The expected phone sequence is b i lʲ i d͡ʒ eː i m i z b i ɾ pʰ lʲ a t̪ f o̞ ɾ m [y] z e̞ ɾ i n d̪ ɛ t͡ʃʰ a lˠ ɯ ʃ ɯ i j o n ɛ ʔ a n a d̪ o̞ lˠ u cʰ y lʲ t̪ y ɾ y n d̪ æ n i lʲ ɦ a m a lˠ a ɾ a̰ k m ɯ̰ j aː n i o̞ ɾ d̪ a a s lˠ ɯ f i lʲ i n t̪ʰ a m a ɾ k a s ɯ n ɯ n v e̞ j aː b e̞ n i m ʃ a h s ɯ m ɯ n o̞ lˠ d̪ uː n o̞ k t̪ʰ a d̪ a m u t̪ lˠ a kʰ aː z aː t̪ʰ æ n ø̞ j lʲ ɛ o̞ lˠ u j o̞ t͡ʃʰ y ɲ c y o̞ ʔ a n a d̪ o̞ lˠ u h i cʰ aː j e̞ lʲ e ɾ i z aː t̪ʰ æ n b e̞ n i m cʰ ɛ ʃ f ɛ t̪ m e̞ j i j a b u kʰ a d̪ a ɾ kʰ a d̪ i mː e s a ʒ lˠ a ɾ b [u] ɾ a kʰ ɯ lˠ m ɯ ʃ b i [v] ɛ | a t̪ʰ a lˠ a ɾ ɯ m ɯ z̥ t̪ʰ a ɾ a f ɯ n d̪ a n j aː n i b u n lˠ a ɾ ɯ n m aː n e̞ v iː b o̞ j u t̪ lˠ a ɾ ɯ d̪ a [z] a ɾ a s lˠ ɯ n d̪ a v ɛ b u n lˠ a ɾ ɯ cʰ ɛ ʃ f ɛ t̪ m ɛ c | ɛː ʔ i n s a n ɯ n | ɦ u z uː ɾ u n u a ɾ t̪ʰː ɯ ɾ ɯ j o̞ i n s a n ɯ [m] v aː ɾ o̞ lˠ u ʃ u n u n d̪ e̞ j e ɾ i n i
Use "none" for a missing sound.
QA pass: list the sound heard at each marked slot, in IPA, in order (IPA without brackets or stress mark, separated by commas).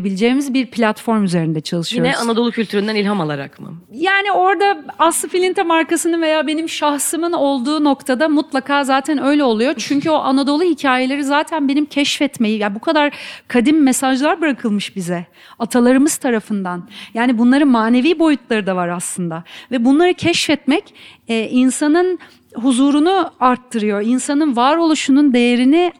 y, ɯ, z, v, n